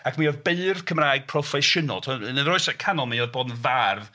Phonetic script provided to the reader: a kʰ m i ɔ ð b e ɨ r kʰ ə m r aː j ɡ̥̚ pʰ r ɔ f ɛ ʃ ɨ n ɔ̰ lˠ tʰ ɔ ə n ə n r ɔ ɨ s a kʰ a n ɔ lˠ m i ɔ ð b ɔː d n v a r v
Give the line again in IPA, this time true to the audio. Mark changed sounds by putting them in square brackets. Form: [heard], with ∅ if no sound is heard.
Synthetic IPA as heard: a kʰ m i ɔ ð b e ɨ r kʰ ə m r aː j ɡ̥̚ pʰ r ɔ f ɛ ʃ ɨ n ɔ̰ lˠ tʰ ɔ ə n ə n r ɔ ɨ s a kʰ a n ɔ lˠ m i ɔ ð b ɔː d n v a r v